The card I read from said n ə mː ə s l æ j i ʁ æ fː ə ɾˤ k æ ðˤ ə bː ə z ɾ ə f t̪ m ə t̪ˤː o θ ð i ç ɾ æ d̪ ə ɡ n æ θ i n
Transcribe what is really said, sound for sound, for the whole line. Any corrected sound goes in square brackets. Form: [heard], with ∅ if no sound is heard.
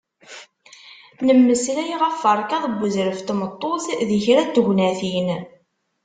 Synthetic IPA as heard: n ə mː ə s l æ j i ʁ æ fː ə ɾˤ k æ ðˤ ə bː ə z ɾ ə f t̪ m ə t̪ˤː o θ ð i ç ɾ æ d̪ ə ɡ n æ θ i n